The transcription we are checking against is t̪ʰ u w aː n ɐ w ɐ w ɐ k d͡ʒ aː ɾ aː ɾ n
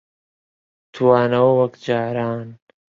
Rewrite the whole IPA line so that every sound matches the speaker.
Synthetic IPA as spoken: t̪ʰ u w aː n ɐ w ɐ w ɐ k d͡ʒ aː ɾ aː n